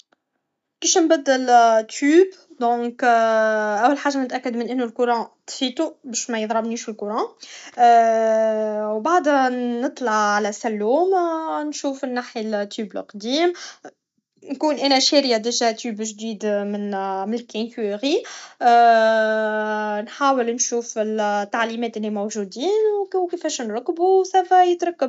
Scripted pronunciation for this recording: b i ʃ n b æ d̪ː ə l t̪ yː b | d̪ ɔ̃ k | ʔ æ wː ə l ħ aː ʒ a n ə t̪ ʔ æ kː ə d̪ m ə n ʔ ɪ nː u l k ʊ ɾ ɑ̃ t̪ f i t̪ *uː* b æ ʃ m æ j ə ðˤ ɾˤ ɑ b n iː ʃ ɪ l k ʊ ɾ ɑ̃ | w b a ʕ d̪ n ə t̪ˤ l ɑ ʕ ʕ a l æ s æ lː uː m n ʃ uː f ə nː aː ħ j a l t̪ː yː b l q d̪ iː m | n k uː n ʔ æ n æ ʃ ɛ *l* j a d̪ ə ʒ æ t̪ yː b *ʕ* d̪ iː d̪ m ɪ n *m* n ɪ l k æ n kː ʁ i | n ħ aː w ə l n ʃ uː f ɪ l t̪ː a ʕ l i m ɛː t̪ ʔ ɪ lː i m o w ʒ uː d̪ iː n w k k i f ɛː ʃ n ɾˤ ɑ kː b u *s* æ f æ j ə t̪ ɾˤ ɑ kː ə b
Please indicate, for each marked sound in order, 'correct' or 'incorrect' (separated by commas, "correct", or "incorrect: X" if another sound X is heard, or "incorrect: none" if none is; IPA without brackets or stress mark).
incorrect: u, incorrect: ɾ, incorrect: ʒ, correct, correct